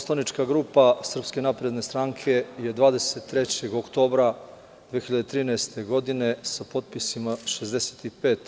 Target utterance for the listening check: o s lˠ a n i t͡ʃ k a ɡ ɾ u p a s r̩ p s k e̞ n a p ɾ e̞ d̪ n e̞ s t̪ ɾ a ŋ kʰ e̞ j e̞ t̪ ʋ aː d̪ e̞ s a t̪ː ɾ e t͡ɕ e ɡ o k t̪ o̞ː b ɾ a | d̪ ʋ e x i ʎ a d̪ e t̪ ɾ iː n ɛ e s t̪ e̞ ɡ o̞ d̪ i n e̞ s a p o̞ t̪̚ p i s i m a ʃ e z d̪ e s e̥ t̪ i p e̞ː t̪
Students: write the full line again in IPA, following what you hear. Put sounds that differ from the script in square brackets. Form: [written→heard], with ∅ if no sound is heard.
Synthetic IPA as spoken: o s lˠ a n i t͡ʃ k a ɡ ɾ u p a s r̩ p s k e̞ n a p ɾ e̞ d̪ n e̞ s t̪ ɾ a ŋ kʰ e̞ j e̞ [t̪→d̪] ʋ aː d̪ e̞ s [a→e] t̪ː ɾ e t͡ɕ e ɡ o k t̪ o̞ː b ɾ a | d̪ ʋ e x i ʎ a d̪ e t̪ ɾ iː n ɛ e s t̪ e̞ ɡ o̞ d̪ i n e̞ s a p o̞ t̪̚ p i s i m a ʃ e z d̪ e s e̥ t̪ i p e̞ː t̪

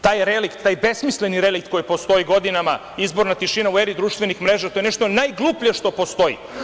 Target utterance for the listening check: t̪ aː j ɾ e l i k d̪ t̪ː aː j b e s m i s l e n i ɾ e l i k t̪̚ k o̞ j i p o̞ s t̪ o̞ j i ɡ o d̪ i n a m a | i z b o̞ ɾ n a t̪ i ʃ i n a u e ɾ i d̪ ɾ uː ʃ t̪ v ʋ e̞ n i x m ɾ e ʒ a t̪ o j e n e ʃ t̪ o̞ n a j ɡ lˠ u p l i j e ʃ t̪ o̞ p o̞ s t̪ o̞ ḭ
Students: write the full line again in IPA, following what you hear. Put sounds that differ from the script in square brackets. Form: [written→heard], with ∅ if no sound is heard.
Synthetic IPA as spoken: t̪ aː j ɾ e l i k [d̪→t̪] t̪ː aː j b e s m i s l e n i ɾ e l i k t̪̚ k o̞ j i p o̞ s t̪ o̞ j i ɡ o d̪ i n a m a | i z b o̞ ɾ n a t̪ i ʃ i n a u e ɾ i d̪ ɾ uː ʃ t̪ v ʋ e̞ n i x m ɾ e ʒ a t̪ o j e n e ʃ t̪ o̞ n a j ɡ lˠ u p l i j e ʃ t̪ o̞ p o̞ s t̪ o̞ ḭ

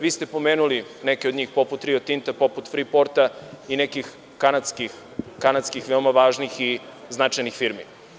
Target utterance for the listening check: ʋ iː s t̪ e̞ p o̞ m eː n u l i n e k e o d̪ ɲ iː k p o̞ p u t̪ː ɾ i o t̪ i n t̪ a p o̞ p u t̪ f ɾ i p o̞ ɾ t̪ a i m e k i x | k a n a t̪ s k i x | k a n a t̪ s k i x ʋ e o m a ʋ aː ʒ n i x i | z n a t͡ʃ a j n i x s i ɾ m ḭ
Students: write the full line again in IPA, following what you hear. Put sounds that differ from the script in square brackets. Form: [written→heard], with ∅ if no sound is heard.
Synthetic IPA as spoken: ʋ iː s t̪ e̞ p o̞ m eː n u l i n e k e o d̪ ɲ iː [k→x] p o̞ p u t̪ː ɾ i o t̪ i n t̪ a p o̞ p u t̪ f ɾ i p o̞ ɾ t̪ a i [m→n] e k i x | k a n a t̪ s k i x | k a n a t̪ s k i x ʋ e o m a ʋ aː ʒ n i x i | z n a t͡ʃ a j n i x [s→f] i ɾ m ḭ

